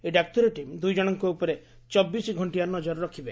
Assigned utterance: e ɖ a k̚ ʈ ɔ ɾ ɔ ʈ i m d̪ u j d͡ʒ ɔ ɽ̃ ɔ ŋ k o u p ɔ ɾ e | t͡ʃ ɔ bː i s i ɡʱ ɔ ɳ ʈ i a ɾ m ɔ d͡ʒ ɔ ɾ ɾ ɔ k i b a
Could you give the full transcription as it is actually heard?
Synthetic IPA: e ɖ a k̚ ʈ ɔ ɾ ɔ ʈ i m d̪ u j d͡ʒ ɔ ɽ̃ ɔ ŋ k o u p ɔ ɾ e | t͡ʃ ɔ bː i s i ɡʱ ɔ ɳ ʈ i a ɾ n ɔ d͡ʒ ɔ ɾ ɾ ɔ kʰ i b e